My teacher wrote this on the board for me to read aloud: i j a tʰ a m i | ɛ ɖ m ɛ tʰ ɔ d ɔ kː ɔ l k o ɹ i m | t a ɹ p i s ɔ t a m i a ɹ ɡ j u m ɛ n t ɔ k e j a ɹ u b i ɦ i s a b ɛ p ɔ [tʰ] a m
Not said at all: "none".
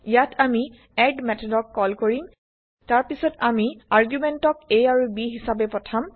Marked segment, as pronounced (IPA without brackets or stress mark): tʰ